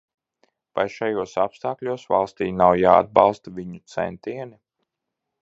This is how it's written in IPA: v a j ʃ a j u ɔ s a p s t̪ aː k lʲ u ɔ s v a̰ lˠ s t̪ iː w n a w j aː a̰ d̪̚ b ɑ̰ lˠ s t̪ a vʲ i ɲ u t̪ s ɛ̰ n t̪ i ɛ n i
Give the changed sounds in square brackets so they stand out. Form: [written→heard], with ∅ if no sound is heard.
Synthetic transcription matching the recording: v a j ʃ a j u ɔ s a p s t̪ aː k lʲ u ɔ s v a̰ lˠ s t̪ iː [w→∅] n a w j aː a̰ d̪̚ b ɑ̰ lˠ s t̪ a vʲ i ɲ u t̪ s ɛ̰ n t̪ i ɛ n i